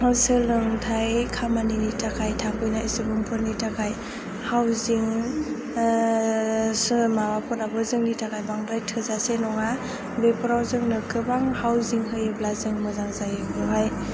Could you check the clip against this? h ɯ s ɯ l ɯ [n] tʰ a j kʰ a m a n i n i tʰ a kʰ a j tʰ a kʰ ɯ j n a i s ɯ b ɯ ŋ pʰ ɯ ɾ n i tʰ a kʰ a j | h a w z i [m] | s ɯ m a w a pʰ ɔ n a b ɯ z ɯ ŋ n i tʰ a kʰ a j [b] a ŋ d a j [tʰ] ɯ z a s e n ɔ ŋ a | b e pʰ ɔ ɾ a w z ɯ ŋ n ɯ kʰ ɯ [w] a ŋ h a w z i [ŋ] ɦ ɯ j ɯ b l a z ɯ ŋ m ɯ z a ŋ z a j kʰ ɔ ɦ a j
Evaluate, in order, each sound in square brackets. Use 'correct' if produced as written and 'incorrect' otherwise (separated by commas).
incorrect, incorrect, correct, correct, incorrect, correct